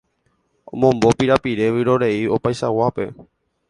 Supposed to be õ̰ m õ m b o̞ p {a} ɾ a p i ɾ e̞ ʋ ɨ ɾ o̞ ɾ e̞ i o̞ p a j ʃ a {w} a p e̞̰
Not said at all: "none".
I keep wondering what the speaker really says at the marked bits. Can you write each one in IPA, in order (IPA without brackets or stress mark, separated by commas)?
i, w